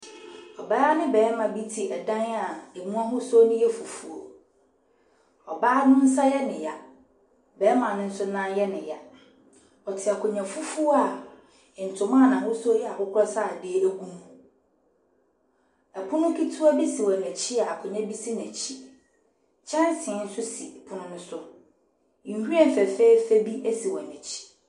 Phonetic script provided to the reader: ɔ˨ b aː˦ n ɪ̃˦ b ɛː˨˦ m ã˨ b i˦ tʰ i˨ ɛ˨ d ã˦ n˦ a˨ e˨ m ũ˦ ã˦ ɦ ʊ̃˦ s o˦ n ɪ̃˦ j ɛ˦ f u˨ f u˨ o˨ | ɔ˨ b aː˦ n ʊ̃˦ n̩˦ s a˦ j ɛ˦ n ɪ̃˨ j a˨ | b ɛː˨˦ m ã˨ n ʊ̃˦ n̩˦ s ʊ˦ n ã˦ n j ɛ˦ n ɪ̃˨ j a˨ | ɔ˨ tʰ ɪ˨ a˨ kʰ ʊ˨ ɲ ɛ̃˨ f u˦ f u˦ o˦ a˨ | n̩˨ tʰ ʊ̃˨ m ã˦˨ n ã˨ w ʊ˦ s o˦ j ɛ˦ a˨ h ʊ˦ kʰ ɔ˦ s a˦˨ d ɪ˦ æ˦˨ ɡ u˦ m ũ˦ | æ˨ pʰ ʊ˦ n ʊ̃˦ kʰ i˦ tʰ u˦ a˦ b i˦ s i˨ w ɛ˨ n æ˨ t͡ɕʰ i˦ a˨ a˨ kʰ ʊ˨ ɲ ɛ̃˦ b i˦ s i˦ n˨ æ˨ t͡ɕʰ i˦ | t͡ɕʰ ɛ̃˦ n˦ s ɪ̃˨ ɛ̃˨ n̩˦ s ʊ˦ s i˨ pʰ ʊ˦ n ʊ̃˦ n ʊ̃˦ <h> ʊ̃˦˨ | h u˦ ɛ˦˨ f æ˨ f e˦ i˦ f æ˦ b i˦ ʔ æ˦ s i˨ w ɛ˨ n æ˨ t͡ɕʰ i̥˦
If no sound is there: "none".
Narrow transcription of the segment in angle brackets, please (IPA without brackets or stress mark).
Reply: s